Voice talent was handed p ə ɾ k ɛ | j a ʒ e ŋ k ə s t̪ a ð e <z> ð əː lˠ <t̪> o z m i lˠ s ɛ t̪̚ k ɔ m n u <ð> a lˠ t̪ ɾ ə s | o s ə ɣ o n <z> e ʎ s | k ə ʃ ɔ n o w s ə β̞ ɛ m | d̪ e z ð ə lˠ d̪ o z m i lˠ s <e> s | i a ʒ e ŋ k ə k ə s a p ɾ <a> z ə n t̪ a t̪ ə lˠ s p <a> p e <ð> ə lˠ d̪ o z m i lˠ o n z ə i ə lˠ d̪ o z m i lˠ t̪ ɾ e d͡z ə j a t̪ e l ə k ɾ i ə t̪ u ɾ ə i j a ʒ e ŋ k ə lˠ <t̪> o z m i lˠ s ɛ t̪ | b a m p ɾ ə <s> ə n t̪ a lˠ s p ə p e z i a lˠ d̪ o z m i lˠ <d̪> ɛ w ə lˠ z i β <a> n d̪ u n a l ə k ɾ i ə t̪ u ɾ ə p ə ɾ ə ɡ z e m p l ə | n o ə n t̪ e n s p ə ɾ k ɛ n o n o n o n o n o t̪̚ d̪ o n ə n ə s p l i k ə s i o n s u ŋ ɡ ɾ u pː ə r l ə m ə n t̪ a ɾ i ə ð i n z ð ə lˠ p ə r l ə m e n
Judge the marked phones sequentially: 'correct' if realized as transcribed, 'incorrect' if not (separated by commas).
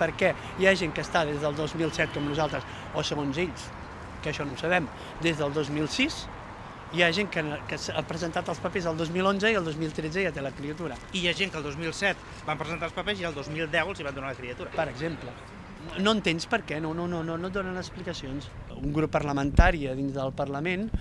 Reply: correct, incorrect, incorrect, correct, incorrect, incorrect, incorrect, incorrect, incorrect, incorrect, correct, correct